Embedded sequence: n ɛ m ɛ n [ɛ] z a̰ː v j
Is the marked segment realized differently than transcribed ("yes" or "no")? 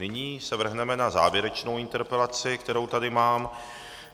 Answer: yes